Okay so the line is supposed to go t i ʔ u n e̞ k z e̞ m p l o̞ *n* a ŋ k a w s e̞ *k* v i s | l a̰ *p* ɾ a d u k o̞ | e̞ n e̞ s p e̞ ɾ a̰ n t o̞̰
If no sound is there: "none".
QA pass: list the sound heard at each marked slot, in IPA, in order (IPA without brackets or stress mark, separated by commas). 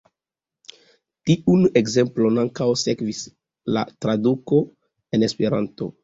n, k, t